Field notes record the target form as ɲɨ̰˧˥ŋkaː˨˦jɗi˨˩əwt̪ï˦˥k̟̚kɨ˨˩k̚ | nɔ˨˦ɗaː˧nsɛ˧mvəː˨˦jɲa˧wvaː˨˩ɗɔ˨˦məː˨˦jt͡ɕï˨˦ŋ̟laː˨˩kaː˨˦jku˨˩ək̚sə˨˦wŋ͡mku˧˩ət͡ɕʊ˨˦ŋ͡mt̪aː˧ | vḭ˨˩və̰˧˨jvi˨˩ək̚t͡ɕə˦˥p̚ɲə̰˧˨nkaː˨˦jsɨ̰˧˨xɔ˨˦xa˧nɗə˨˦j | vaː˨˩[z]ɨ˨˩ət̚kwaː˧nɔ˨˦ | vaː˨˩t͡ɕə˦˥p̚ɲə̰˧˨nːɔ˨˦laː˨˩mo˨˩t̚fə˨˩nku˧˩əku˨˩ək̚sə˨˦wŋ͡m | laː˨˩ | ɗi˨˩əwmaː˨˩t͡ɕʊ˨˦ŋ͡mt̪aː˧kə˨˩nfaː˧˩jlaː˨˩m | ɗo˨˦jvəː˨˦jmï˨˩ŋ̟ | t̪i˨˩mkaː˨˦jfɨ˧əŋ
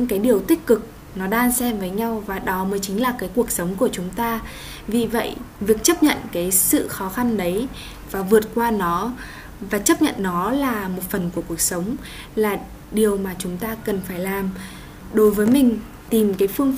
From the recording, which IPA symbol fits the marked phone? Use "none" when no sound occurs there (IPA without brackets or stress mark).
v